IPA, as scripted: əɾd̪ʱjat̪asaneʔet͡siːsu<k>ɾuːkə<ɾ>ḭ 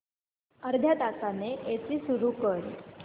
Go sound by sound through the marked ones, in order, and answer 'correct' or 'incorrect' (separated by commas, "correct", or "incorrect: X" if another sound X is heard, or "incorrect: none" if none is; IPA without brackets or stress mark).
incorrect: none, correct